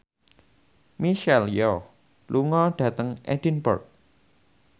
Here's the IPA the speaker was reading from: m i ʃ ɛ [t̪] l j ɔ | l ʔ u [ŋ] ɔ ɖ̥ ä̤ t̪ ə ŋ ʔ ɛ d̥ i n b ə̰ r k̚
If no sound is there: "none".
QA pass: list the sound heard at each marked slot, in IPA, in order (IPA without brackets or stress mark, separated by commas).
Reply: none, ŋ